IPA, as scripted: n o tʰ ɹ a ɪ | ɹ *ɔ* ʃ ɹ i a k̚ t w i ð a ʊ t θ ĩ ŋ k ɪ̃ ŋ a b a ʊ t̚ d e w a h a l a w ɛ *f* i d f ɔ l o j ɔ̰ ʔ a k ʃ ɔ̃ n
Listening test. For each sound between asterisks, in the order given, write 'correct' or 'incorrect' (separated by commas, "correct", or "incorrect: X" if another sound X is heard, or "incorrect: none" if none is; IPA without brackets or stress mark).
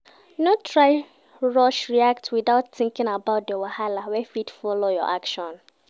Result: correct, correct